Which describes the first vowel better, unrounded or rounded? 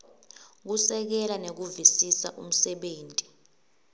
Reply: rounded